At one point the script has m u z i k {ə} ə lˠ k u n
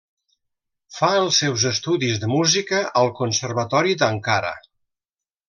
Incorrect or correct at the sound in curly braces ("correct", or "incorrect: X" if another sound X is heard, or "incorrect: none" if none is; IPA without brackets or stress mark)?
correct